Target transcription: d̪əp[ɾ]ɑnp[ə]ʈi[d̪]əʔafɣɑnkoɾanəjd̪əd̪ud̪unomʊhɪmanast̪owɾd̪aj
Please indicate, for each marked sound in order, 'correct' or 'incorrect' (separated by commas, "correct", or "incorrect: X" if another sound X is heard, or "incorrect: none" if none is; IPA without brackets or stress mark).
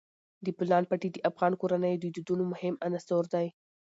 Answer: incorrect: l, incorrect: a, correct